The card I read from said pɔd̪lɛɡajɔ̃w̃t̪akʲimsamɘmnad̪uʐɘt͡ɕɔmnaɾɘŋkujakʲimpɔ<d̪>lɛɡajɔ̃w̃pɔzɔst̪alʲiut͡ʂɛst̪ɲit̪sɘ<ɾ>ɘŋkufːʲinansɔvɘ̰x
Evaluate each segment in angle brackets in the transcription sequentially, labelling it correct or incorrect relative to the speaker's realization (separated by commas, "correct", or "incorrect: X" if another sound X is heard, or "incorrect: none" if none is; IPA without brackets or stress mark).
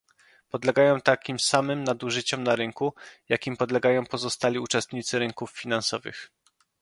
correct, correct